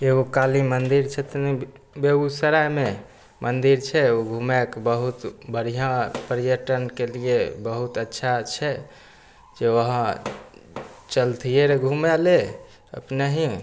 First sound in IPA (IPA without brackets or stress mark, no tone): e